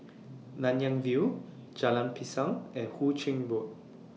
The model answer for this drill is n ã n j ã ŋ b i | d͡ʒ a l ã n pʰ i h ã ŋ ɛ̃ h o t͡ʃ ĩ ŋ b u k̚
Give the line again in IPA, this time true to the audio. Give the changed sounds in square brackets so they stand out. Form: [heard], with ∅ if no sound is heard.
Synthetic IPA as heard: n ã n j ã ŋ [v] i | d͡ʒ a l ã n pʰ i [s] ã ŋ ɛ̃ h [u] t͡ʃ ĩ ŋ b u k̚